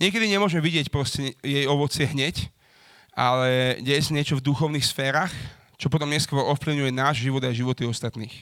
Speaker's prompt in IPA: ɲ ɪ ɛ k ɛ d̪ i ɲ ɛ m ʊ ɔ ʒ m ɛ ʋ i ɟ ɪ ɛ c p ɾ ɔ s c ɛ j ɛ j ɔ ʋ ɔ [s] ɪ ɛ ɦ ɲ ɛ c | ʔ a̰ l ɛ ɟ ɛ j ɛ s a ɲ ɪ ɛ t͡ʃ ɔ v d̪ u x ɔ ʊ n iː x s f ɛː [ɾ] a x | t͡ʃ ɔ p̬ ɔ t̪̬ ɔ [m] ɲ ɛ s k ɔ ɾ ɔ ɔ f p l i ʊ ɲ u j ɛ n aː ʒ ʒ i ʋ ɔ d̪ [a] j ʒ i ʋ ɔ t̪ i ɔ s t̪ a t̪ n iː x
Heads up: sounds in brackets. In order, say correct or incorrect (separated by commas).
incorrect, correct, correct, correct